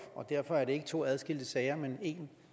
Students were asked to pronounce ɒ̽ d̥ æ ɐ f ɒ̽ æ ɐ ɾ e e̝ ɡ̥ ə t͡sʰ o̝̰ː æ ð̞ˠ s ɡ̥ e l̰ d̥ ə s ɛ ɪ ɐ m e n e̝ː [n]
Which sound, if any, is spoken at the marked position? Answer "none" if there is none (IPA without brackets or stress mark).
n